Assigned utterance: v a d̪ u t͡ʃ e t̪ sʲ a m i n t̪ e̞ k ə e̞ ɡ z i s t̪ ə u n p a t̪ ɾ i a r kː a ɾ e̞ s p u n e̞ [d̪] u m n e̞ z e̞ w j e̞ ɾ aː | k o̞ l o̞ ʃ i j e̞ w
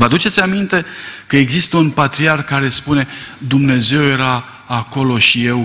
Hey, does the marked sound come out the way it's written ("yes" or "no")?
yes